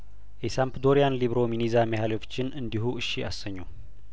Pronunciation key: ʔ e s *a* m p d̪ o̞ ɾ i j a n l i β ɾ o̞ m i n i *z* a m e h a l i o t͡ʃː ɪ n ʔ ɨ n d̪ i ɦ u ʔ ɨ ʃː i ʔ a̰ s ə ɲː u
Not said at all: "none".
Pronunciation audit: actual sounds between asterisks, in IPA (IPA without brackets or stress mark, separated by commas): a, z